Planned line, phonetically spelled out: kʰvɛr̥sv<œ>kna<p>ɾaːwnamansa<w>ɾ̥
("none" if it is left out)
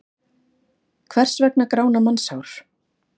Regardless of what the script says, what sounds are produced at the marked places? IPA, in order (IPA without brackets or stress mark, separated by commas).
ɛ, k, w